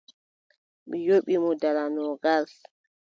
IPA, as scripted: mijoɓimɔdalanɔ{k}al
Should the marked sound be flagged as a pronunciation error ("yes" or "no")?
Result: yes